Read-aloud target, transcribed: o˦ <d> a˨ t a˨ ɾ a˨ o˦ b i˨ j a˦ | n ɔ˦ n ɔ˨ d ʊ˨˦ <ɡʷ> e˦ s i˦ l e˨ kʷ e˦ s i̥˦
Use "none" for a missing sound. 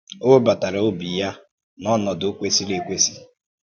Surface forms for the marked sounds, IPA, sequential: b, kʷ

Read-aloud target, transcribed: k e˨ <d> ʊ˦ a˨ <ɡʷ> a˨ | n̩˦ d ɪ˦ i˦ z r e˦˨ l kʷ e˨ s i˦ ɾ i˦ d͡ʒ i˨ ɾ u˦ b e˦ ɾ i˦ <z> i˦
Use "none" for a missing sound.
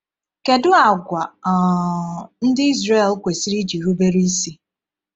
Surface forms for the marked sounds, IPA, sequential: d, ɡʷ, s

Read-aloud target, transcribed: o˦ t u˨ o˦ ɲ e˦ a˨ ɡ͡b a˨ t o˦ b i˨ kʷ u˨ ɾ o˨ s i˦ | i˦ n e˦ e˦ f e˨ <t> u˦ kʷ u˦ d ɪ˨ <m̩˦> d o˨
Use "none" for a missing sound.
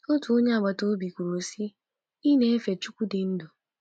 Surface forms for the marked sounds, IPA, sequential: t͡ʃ, n̩˦

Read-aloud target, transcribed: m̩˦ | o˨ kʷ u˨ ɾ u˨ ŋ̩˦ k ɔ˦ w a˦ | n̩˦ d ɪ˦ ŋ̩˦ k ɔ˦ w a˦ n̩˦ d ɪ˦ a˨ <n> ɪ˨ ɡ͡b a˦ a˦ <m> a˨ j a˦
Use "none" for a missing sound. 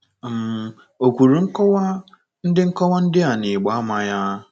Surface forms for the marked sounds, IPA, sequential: n, m

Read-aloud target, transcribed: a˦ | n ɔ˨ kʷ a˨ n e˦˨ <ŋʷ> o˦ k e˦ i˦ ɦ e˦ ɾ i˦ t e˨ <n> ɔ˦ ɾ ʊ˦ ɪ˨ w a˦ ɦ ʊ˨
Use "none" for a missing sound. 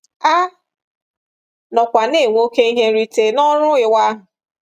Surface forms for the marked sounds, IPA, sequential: ŋʷ, n

